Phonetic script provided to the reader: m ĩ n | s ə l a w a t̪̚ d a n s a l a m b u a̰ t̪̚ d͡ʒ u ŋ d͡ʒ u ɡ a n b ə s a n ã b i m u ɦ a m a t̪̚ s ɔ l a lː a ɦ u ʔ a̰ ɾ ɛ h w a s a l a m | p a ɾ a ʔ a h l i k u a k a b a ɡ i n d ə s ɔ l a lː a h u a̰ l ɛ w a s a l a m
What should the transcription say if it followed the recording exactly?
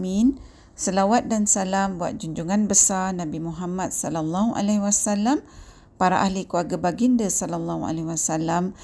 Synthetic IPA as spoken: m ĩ n | s ə l a w a t̪̚ d a n s a l a m b u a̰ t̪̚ d͡ʒ u ɲ d͡ʒ u ŋ a n b ə s a n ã b i m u ɦ a m a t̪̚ s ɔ l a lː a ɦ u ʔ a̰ l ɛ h w a s a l a m | p a ɾ a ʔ a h l i k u a ɡ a b a ɡ i n d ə s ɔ l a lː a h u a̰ l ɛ w a s a l a m